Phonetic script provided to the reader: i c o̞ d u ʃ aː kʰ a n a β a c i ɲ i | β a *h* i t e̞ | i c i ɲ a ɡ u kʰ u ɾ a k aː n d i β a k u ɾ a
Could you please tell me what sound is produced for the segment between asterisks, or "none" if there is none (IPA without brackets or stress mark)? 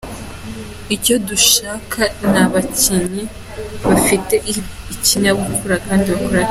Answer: f